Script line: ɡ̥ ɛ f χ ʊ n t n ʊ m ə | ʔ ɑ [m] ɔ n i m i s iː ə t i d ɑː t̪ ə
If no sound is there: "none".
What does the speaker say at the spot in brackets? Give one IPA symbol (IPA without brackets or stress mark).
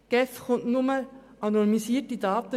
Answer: n